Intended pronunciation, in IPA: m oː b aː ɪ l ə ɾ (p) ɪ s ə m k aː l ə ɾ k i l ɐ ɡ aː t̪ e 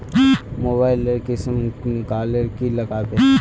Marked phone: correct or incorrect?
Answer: incorrect